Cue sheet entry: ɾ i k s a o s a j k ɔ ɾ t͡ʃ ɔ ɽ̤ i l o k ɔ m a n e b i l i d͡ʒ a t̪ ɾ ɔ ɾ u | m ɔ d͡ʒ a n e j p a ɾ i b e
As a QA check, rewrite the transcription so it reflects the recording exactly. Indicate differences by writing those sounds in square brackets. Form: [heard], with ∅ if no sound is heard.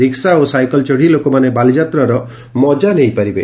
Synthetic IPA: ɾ i k s a o s a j k ɔ [l] t͡ʃ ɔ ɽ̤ i l o k ɔ m a n e b [a] l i d͡ʒ a t̪ ɾ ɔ ɾ [ɔ] | m ɔ d͡ʒ a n e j p a ɾ i b e